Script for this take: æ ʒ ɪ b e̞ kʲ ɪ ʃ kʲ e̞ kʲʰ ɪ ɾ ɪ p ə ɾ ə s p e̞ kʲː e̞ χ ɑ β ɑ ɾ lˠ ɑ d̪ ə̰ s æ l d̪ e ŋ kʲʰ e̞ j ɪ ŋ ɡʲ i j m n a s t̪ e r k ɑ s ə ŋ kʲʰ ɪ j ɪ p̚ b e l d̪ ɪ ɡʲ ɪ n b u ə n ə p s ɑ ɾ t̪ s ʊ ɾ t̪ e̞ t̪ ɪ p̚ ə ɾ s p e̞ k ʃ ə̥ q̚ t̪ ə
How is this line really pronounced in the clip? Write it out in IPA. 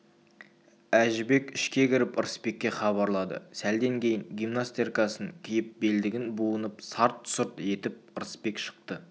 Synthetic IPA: æ ʒ ɪ b e̞ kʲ ɪ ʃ kʲ e̞ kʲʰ ɪ ɾ ɪ p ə ɾ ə s p e̞ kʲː e̞ χ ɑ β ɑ ɾ lˠ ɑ d̪ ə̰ s æ l d̪ e ŋ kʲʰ e̞ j ɪ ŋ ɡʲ i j m n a s t̪ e r k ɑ s ə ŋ kʲʰ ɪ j ɪ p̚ b e l d̪ ɪ ɡʲ ɪ n b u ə n ə p s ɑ ɾ t̪ s ʊ ɾ t̪ e̞ t̪ ɪ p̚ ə ɾ s p e̞ k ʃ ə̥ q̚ t̪ ə